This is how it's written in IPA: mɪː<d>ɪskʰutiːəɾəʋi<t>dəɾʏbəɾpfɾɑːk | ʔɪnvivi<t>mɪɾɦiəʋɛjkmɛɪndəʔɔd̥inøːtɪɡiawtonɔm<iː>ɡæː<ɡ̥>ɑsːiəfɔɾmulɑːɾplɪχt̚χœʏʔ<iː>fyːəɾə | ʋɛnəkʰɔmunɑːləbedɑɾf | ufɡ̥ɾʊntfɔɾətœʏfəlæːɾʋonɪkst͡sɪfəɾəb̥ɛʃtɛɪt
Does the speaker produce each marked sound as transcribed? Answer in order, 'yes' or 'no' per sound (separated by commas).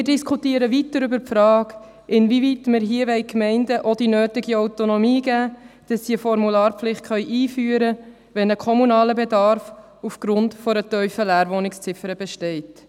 yes, yes, yes, yes, no, yes